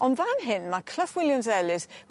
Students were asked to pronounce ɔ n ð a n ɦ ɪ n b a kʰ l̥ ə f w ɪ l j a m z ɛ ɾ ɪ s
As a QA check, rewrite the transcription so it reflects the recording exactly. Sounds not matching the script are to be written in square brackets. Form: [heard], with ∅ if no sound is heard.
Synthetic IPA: ɔ n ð a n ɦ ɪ n [m] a kʰ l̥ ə f w ɪ l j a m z ɛ [l] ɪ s